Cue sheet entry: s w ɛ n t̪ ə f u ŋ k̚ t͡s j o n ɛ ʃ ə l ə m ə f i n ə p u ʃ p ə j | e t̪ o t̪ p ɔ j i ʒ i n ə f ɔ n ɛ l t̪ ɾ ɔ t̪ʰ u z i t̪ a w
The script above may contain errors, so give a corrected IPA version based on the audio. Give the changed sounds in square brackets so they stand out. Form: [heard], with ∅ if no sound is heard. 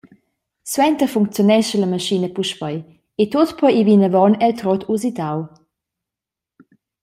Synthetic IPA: s w ɛ n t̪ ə f u ŋ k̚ t͡s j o n ɛ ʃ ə l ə m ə [ʃ] i n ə p u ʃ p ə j | e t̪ o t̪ p ɔ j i [v] i n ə [v] ɔ n ɛ l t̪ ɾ ɔ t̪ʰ u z i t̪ a w

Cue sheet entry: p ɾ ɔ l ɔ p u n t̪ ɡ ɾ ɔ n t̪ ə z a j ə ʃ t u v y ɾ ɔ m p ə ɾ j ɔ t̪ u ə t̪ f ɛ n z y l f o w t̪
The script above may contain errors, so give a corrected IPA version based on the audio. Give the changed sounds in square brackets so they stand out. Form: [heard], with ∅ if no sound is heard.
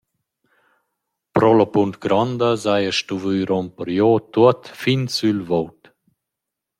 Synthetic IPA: p ɾ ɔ l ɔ p u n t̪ ɡ ɾ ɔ n [d̪] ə z a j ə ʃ t u v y ɾ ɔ m p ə ɾ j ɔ t̪ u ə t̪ f [i] n [s] y l [v] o w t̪

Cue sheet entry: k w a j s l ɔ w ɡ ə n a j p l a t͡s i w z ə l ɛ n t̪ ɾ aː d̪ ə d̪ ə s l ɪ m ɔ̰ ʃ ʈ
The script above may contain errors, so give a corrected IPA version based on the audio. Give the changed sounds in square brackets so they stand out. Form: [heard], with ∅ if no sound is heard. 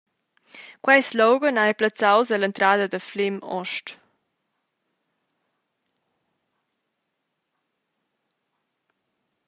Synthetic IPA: k w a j s l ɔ w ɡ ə n a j p l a t͡s [a] w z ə l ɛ n t̪ ɾ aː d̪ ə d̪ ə [f] l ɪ m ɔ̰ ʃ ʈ

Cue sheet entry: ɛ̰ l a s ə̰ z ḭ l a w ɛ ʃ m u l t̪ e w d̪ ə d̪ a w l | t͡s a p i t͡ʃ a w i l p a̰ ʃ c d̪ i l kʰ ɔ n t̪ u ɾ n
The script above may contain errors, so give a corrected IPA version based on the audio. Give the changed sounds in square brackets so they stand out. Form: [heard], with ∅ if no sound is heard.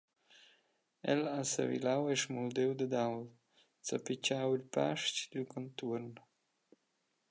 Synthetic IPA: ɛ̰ l a s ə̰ [v] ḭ l a w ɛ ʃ m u l [d̪] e w d̪ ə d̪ a w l | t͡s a p i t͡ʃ a w i l p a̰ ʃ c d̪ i l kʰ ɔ n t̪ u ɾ n

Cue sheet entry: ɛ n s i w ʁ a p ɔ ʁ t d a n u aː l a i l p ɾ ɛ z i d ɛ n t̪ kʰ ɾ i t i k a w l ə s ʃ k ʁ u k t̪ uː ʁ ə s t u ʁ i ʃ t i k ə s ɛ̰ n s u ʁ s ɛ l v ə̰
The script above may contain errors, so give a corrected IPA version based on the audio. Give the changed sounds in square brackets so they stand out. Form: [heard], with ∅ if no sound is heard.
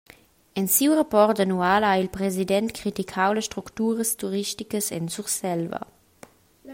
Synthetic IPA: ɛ n s i w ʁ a p ɔ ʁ t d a n u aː l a i l p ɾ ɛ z i d ɛ n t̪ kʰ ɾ i t i [kʰ] a w l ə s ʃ [t] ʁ u k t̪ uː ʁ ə s t u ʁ i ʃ t i k ə s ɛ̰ n s u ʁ s ɛ l v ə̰

